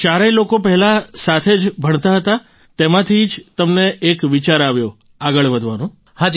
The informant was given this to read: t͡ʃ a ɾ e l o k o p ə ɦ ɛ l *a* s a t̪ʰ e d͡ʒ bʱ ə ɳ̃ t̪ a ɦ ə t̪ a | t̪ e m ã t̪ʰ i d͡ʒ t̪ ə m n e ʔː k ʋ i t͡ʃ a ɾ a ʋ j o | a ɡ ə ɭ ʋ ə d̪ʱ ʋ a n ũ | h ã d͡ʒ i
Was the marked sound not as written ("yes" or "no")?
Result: no